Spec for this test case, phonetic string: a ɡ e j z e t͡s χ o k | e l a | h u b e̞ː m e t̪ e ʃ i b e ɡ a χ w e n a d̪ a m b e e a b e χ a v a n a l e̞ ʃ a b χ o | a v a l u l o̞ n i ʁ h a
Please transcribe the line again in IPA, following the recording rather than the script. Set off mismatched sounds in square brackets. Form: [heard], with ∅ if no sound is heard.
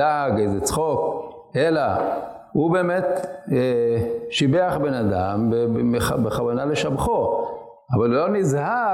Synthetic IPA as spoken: a ɡ e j z e t͡s χ o k | e l a | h u b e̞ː m e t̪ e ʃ i b e [∅] a χ [b] e n a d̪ a m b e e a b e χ a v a n a l e̞ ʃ a b χ o | a v a l u l o̞ n i [z] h a